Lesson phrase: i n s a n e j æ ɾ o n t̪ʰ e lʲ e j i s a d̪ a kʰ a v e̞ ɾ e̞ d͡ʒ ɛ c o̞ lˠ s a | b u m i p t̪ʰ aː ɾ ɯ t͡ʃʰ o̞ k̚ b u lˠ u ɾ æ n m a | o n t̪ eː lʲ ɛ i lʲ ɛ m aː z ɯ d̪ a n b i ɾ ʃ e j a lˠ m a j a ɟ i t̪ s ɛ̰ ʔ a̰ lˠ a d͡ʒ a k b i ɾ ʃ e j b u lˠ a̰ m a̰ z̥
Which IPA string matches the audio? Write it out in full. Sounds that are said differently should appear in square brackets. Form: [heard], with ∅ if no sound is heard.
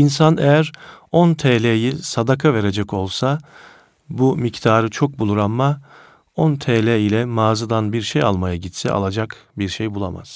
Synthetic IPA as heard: i n s a n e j æ ɾ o n t̪ʰ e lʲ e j i s a d̪ a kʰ a v e̞ ɾ e̞ d͡ʒ ɛ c o̞ lˠ s a | b u m i [c] t̪ʰ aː ɾ ɯ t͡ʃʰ o̞ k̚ b u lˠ u ɾ [a] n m a | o n [t̪ʰ] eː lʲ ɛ i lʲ ɛ m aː z ɯ d̪ a n b i ɾ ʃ e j a lˠ m a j a ɟ i t̪ s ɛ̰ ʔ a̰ lˠ a d͡ʒ a k b i ɾ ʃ e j b u lˠ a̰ m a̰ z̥